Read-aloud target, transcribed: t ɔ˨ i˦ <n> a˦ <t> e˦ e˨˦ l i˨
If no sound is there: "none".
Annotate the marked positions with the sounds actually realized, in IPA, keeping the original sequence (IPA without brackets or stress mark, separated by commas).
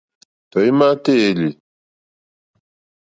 m, t